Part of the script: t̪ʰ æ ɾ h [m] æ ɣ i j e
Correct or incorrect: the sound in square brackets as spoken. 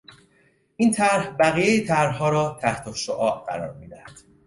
incorrect: b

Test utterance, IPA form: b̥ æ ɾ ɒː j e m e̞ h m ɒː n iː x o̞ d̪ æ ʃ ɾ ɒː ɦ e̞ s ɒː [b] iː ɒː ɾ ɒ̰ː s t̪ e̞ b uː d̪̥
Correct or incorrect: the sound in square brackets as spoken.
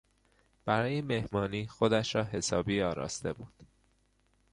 correct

